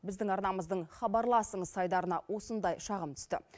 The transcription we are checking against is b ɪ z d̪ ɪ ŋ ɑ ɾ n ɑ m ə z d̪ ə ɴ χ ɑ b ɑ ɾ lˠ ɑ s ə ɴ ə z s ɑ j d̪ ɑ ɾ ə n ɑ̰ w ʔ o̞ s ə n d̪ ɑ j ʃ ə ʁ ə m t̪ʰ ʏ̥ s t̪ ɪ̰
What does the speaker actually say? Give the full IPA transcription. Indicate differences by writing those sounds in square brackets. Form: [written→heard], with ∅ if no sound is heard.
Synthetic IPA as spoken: b ɪ z d̪ ɪ ŋ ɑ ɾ n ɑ m ə z d̪ ə ɴ χ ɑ b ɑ ɾ lˠ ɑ s ə ɴ ə z s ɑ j d̪ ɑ ɾ ə n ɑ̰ w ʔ o̞ s ə n d̪ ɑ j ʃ [ə→ɑ] ʁ ə m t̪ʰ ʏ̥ s t̪ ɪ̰